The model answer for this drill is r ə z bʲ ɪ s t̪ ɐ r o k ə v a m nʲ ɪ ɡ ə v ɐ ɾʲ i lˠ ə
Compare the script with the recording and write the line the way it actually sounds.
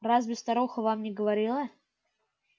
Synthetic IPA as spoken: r a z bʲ ɪ s t̪ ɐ ɾ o x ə v a m nʲ ɪ ɡ ə v ɐ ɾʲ i lˠ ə